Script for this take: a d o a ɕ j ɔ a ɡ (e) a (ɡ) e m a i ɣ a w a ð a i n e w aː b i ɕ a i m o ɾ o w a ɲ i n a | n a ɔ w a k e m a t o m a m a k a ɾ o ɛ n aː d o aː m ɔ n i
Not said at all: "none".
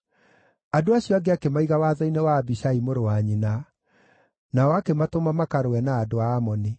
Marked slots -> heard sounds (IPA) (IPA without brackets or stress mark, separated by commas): e, k